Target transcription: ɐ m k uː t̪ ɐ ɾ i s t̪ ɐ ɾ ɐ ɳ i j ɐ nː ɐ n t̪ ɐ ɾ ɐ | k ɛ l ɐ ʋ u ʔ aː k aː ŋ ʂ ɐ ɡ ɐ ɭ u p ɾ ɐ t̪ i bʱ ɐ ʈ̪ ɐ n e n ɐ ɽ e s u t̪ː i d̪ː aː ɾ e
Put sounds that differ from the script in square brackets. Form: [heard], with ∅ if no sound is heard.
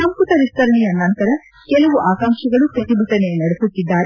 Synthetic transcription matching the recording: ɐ m k [u] t̪ ɐ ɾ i s t̪ ɐ ɾ ɐ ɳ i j ɐ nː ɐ n t̪ ɐ ɾ ɐ | k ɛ l ɐ ʋ u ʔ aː k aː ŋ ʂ ɐ ɡ ɐ ɭ u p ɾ ɐ t̪ i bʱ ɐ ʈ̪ ɐ n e n ɐ ɽ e s u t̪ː i d̪ː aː ɾ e